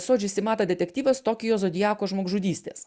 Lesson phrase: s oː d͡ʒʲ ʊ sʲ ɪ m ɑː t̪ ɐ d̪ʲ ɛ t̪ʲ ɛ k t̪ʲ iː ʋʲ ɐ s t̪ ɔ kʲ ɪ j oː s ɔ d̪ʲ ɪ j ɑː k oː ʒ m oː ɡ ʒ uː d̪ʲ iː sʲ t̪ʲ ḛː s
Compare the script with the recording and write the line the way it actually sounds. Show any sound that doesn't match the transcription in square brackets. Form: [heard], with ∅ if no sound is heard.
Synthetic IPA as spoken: s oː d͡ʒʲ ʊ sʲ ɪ m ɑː t̪ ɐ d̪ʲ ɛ t̪ʲ ɛ k t̪ʲ iː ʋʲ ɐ s t̪ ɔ kʲ ɪ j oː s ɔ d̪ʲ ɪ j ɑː k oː ʒ m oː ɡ ʒ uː d̪ʲ iː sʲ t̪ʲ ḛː s